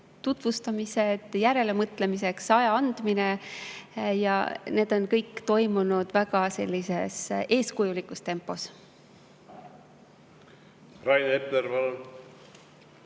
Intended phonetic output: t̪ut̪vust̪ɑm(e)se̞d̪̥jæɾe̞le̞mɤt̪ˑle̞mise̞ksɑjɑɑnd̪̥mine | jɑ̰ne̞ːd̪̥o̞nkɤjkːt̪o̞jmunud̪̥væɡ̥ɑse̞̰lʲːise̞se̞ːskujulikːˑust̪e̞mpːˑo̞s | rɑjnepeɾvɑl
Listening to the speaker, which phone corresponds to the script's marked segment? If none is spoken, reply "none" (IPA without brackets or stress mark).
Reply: i